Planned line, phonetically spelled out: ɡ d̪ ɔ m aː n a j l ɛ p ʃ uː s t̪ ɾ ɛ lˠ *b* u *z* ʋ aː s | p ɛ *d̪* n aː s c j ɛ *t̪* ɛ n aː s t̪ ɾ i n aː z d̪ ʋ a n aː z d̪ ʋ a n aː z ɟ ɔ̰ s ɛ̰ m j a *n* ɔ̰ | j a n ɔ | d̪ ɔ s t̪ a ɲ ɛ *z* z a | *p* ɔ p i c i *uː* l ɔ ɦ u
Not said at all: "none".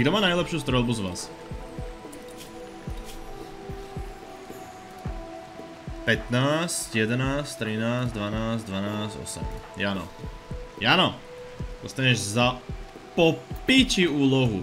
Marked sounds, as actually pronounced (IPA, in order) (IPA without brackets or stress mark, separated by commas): b, z, t̪, d̪, n, ʒ, p, uː